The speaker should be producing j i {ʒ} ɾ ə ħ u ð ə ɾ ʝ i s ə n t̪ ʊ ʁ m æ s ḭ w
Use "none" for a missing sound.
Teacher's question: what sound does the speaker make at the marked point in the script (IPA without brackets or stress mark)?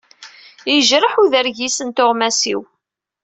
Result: ʒ